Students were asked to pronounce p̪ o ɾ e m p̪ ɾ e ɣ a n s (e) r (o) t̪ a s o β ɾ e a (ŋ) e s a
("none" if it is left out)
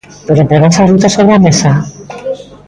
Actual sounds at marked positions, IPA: a, u, m

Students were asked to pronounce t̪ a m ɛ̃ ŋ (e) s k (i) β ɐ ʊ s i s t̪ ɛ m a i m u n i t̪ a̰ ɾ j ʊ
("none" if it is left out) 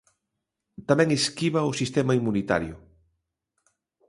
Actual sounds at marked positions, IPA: e, i

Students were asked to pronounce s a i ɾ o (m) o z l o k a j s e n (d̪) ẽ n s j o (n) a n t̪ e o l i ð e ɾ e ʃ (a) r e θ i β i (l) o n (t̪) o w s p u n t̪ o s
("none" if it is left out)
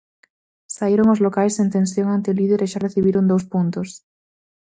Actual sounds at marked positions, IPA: ŋ, t̪, ŋ, a, ɾ, d̪

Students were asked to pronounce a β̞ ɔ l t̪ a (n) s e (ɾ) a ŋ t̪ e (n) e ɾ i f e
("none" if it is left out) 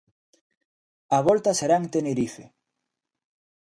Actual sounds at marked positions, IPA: none, ɾ, n

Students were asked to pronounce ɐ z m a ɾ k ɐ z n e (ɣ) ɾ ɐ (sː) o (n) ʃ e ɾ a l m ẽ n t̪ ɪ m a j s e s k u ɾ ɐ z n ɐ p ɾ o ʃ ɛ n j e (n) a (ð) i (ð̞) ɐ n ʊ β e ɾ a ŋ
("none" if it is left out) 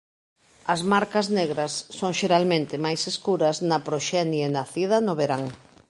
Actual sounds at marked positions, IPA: ɣ, sː, ŋ, n, θ, ð̞

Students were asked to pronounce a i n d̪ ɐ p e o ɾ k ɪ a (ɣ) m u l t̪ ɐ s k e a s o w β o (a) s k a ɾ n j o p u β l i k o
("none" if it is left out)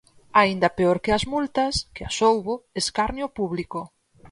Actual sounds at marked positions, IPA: z, e

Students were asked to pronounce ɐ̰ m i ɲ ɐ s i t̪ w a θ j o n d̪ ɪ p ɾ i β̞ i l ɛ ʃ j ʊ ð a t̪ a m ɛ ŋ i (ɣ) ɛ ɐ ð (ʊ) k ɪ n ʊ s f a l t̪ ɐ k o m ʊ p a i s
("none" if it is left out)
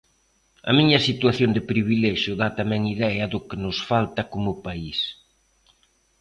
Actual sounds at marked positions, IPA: ð, ʊ

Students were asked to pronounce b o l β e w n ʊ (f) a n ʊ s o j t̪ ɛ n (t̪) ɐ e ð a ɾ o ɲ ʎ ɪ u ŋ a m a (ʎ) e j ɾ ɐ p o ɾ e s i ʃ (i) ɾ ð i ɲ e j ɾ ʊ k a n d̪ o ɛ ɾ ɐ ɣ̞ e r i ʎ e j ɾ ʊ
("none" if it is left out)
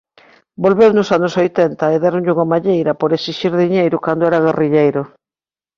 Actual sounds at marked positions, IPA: s, t̪, ʎ, i

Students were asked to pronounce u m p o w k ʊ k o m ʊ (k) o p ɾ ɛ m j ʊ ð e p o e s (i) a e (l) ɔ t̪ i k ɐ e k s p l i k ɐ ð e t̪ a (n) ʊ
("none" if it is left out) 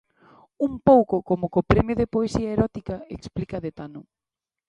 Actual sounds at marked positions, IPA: k, i, ɾ, n

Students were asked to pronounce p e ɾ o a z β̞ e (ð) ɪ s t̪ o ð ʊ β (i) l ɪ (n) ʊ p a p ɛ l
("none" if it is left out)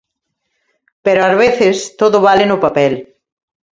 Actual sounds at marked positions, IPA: θ, a, n

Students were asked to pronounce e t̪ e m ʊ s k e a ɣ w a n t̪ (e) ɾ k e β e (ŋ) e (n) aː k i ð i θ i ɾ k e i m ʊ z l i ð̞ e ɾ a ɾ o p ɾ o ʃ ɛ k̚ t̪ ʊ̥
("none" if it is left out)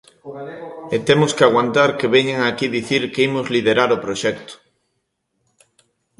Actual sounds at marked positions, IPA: a, ɲ, ŋ

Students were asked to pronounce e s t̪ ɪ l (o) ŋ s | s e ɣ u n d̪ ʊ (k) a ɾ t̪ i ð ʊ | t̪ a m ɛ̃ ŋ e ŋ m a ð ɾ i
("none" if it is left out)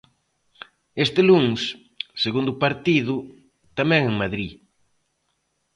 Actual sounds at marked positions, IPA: u, p

